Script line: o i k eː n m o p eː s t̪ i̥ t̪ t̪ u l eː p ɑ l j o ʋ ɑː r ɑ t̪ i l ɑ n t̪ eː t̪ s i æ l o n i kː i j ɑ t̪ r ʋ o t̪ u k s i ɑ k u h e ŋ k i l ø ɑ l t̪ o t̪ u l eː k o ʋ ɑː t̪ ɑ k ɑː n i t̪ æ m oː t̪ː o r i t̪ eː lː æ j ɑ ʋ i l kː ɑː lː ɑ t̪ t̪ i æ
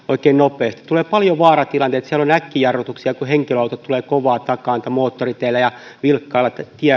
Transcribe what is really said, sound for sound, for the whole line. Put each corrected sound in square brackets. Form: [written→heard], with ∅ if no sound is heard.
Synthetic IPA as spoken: o i k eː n [m→n] o p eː s t̪ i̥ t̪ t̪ u l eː p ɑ l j o ʋ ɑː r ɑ t̪ i l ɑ n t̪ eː t̪ s i æ l o n [i→æ] kː i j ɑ [t̪→∅] r ʋ o t̪ u k s i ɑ k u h e ŋ k i l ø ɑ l t̪ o t̪ u l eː k o ʋ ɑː t̪ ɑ k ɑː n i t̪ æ m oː t̪ː o r i t̪ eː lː æ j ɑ ʋ i l kː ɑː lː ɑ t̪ t̪ i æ